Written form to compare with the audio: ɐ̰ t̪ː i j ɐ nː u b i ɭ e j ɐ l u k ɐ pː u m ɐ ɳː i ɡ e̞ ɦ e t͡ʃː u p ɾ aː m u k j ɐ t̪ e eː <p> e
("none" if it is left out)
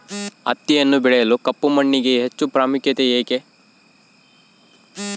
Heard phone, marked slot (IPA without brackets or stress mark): k